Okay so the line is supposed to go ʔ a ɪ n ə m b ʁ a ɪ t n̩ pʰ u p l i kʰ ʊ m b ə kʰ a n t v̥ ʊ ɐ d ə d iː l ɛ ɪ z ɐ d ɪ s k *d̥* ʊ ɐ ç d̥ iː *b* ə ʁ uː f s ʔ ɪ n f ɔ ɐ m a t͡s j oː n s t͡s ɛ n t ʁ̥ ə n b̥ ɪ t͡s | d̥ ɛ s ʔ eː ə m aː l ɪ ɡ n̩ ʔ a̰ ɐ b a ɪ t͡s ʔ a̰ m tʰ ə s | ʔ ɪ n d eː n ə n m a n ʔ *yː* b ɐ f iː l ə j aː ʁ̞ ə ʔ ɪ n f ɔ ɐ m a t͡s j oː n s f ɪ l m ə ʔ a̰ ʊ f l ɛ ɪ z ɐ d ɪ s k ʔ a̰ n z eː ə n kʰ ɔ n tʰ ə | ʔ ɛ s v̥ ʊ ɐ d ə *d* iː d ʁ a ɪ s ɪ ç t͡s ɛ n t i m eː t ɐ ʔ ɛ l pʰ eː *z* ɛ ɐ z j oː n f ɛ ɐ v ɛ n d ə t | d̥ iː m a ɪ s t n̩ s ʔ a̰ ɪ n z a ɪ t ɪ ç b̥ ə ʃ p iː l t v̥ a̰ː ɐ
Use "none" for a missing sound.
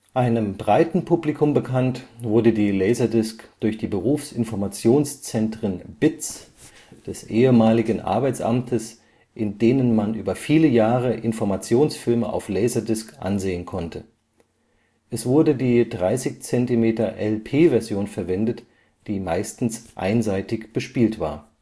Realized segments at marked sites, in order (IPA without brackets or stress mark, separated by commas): d̥, b, yː, d, v